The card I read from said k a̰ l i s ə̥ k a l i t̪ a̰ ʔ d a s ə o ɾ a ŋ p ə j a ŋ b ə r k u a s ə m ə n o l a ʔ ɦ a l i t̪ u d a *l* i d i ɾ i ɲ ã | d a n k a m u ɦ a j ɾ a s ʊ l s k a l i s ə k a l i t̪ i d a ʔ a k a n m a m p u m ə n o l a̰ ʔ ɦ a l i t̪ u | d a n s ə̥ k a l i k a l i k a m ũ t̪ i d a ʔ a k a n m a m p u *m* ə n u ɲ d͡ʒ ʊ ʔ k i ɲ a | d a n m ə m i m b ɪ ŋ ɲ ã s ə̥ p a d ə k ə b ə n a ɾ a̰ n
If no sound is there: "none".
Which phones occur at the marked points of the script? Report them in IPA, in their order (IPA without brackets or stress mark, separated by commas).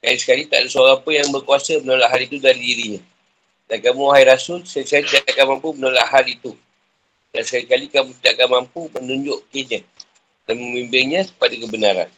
ɾ, m